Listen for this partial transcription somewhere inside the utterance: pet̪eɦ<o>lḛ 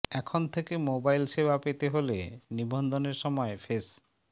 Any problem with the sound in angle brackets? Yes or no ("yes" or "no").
no